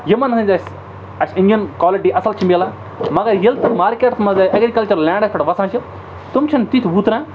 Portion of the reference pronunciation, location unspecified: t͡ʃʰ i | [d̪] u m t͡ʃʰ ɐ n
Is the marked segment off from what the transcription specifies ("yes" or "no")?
yes